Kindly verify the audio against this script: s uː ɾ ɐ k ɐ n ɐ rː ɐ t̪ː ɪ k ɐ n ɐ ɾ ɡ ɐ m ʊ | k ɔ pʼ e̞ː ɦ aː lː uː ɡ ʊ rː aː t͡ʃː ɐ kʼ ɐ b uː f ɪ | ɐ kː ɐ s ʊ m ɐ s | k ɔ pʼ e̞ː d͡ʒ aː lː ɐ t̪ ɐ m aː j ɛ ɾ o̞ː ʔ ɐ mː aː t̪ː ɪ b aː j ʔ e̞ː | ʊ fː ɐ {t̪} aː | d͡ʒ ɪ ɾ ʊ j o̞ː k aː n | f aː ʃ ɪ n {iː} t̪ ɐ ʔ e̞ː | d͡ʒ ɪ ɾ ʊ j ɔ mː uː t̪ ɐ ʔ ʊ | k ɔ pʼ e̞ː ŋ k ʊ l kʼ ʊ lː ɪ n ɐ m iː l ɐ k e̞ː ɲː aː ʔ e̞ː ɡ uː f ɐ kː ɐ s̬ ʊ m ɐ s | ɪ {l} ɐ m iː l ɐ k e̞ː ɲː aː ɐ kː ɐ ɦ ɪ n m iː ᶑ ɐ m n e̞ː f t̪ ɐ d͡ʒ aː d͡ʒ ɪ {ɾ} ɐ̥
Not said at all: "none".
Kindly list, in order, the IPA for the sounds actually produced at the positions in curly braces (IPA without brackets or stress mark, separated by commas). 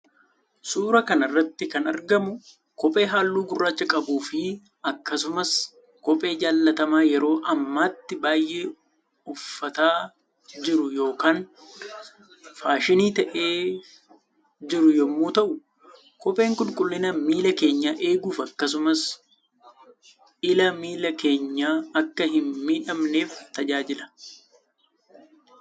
t̪, iː, l, l